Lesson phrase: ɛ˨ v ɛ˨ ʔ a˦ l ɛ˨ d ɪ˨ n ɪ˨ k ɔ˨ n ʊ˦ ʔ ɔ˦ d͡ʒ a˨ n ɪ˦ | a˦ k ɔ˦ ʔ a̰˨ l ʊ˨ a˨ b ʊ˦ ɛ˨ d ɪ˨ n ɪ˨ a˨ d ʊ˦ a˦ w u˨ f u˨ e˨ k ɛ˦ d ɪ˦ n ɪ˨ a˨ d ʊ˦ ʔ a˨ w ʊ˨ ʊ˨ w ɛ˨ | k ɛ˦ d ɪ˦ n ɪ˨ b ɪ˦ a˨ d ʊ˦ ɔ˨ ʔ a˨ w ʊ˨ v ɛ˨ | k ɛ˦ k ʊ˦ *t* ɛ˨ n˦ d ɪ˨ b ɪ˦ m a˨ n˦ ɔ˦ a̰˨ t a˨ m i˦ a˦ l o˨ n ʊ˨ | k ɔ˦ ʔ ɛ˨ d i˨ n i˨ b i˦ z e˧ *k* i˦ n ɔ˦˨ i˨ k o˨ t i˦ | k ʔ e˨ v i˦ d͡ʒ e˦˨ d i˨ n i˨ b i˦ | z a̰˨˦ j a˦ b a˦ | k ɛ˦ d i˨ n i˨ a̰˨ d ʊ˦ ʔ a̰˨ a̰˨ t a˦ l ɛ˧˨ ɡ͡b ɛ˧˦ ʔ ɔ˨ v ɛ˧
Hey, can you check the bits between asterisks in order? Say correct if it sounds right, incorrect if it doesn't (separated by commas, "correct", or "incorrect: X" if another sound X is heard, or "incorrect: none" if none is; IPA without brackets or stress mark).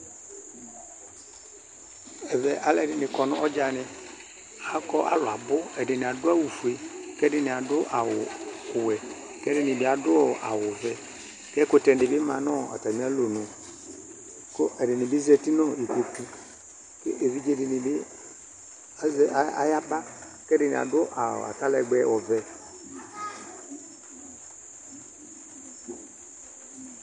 correct, incorrect: t